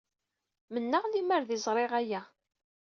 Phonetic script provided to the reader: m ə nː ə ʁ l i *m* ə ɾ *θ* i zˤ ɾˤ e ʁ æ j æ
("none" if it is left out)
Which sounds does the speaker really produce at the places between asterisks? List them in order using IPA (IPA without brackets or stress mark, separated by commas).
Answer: m, ð